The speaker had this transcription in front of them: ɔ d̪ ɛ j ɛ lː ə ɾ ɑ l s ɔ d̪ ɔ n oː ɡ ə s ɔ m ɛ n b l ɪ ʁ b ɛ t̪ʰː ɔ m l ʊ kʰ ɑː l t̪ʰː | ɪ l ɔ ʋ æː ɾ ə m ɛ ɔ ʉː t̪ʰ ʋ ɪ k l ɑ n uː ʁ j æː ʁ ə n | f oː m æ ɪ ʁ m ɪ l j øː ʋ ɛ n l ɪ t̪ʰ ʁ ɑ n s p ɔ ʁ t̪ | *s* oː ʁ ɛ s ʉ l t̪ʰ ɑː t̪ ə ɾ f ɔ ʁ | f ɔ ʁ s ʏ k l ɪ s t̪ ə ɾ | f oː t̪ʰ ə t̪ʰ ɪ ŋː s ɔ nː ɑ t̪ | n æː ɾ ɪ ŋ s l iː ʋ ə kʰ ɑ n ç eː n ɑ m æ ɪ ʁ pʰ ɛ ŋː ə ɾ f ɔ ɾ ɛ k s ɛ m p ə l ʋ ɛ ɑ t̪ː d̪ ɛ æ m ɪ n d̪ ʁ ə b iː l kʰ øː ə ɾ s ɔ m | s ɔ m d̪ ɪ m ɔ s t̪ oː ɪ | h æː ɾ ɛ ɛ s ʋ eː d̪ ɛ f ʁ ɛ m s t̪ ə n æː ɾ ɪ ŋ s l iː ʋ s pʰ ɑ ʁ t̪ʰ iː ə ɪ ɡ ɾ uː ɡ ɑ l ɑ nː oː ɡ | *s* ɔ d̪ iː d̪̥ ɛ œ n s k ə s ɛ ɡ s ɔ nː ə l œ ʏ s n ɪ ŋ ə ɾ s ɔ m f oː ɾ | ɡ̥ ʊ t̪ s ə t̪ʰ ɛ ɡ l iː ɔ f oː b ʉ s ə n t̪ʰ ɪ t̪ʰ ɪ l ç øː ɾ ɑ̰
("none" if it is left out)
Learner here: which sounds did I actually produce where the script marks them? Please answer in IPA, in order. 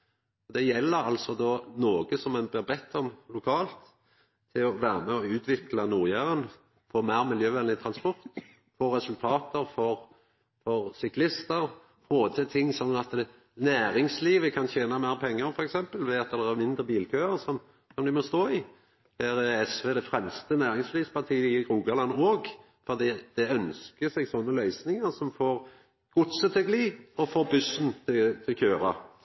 f, f

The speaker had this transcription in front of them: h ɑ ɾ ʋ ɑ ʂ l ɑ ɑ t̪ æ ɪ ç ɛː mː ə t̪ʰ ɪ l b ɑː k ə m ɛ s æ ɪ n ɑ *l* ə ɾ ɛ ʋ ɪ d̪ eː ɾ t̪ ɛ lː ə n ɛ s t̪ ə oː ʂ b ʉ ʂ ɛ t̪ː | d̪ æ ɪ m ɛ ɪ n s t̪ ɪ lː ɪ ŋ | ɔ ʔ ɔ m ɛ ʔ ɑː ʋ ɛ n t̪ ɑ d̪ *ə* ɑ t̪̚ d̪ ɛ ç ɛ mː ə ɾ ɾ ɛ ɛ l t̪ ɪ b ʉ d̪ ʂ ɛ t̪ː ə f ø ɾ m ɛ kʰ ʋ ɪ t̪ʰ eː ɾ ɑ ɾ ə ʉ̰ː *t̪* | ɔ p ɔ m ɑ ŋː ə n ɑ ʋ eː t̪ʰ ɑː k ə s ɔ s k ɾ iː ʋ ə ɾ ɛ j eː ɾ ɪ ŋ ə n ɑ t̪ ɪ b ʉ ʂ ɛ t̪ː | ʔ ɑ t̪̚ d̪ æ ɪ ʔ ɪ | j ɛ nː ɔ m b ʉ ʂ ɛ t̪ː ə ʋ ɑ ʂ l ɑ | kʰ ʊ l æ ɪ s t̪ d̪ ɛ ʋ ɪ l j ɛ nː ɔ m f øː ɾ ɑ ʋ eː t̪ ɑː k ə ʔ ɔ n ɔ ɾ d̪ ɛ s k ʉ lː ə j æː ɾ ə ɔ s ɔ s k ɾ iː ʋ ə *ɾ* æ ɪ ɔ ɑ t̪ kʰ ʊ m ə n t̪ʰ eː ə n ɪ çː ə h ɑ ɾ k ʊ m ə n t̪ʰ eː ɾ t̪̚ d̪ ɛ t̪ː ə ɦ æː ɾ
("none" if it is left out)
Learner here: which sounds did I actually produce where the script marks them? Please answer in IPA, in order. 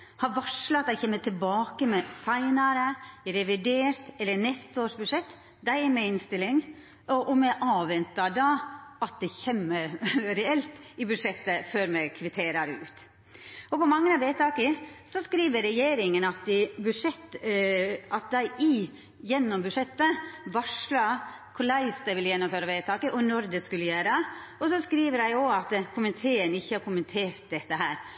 ɾ, ɑ, t̪, ɾ

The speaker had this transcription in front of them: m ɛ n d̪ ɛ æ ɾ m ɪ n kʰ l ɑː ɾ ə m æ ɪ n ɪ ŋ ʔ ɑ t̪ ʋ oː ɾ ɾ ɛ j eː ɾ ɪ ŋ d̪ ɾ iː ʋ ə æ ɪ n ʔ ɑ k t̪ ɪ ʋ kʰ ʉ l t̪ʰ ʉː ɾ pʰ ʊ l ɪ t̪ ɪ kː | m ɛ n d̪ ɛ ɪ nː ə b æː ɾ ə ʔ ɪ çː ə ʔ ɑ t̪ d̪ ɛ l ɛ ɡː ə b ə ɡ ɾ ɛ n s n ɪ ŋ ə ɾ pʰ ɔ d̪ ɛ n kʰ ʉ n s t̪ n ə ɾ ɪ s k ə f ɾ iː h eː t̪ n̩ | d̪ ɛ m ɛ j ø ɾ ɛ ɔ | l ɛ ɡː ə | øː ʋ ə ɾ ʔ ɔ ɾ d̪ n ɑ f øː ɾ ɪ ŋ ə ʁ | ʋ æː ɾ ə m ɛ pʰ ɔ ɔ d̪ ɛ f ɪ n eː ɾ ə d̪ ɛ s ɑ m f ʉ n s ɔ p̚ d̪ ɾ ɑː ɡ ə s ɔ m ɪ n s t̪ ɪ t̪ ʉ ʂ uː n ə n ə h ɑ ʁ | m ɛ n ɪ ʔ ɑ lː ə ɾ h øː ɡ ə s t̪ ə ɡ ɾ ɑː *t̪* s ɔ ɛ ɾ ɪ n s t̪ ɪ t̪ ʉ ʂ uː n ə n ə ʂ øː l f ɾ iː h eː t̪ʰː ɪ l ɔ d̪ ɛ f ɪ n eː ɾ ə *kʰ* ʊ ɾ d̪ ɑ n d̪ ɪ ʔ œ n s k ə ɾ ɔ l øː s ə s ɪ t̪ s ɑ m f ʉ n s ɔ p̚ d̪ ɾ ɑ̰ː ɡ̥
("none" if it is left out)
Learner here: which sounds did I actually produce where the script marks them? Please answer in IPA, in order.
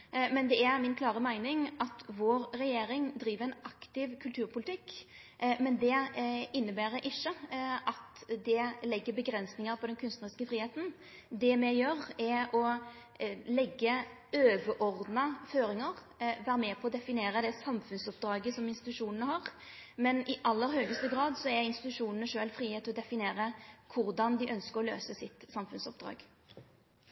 d̪, kʰ

